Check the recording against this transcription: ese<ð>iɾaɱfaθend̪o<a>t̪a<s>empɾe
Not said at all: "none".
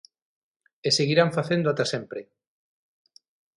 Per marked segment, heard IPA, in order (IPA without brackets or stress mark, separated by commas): ɣ, a, s